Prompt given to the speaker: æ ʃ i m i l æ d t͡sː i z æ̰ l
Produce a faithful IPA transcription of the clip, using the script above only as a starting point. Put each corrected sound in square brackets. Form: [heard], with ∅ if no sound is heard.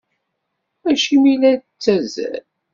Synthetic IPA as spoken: æ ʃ i m i l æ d t͡sː [æ] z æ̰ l